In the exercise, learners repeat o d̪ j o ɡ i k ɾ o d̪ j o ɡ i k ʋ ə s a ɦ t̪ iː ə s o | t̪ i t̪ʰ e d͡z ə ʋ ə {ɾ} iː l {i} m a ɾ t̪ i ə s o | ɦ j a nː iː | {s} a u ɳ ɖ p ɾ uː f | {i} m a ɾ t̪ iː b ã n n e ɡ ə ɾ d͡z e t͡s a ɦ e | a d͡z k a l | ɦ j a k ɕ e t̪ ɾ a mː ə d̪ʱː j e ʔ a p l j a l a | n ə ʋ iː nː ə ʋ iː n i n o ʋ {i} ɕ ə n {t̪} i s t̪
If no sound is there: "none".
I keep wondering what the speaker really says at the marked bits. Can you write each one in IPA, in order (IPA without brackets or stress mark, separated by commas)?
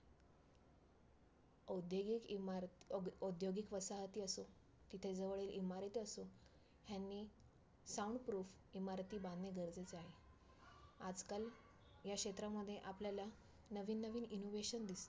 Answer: ɭ, i, s, i, e, d̪